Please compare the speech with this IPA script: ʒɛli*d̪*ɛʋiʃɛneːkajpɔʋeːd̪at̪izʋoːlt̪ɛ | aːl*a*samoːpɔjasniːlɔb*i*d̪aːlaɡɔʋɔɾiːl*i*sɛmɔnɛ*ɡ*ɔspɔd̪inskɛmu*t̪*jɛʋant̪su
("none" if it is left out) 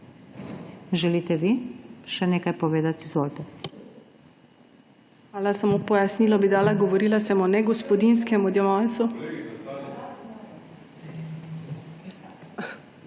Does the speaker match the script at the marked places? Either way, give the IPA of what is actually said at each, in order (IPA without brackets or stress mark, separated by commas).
t̪, a, i, a, ɡ, d̪